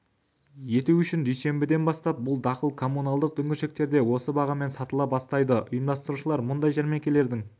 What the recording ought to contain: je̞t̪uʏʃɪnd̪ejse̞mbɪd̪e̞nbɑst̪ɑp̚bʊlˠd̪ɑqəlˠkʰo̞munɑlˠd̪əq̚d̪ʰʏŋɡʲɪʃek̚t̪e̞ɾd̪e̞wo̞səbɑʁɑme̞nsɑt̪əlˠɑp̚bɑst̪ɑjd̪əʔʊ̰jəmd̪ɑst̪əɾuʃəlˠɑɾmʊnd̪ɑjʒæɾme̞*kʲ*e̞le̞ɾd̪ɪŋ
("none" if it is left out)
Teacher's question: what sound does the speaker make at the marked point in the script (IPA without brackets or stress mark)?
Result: kʲ